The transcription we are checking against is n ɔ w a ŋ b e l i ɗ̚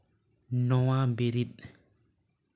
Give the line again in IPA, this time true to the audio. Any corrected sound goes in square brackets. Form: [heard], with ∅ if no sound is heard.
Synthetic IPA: n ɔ w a [m] b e [ɾ] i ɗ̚